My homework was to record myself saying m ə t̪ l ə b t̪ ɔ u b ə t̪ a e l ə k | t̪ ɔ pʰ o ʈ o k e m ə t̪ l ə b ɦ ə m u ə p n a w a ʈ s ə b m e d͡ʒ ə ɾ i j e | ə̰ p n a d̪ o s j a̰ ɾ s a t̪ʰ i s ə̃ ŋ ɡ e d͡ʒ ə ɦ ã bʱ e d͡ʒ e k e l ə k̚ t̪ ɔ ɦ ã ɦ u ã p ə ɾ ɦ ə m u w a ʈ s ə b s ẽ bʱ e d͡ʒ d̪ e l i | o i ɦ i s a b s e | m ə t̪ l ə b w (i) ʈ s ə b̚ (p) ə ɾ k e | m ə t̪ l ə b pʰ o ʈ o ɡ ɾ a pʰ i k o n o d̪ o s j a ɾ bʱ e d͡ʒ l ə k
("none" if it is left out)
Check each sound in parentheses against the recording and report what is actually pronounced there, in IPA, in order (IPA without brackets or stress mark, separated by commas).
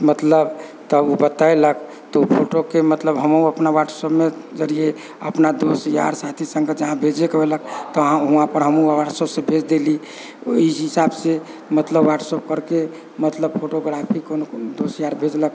a, k